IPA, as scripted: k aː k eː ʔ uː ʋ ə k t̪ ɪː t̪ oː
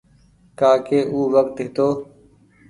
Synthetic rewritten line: k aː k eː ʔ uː ʋ ə k t̪ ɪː t̪ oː